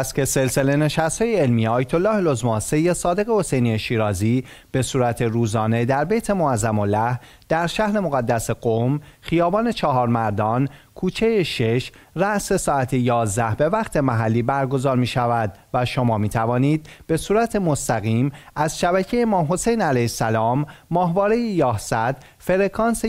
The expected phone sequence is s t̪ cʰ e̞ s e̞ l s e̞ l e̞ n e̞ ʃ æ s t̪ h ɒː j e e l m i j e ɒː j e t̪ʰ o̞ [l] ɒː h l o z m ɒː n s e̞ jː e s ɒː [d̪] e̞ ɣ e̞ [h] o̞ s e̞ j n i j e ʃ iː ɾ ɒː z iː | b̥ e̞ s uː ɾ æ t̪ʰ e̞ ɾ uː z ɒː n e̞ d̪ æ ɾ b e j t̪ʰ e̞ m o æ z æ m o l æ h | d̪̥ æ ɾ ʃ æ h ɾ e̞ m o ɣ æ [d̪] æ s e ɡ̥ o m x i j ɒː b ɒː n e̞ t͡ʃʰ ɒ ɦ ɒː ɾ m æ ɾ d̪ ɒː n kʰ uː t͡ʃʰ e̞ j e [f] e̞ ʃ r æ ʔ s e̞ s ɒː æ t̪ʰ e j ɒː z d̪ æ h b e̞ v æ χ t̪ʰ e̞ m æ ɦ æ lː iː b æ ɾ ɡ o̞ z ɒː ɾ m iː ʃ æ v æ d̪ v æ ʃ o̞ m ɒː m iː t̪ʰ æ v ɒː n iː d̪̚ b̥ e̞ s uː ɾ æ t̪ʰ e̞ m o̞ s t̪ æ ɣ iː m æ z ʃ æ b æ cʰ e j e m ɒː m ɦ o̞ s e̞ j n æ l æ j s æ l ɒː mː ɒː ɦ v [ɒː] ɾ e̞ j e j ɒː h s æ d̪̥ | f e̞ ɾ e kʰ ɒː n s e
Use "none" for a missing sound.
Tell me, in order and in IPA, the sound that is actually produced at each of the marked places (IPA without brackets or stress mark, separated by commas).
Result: lː, d̪, h, d̪ː, ʃ, ɒː